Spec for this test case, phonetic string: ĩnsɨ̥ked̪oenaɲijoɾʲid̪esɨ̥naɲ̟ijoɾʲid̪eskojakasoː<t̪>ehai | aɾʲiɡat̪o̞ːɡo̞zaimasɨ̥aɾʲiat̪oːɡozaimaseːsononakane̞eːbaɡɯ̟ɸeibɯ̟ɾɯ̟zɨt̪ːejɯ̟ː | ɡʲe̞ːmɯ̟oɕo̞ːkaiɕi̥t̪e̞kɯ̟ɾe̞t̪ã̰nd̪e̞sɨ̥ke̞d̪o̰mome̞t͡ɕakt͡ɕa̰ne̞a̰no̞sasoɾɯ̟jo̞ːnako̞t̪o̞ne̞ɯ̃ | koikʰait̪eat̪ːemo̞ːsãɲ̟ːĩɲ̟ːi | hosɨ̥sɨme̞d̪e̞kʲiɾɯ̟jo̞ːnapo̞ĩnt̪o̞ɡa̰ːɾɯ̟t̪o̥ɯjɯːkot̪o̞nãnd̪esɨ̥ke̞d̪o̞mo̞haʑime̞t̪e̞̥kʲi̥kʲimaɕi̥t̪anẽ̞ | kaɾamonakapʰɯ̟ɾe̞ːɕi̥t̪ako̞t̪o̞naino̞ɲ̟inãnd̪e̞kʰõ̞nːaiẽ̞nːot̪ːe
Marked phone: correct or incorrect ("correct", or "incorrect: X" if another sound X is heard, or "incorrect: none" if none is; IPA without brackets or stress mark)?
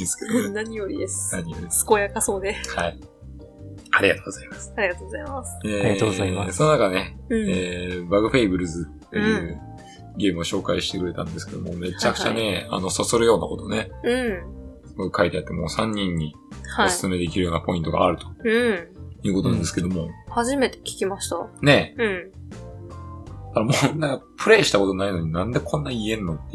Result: incorrect: d̪